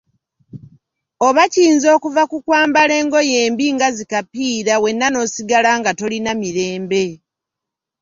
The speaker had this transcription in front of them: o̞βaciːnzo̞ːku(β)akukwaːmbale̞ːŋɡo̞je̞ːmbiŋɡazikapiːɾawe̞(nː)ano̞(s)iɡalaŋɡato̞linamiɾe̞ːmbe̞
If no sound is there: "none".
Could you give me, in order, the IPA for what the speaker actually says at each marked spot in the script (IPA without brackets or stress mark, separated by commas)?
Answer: v, nː, s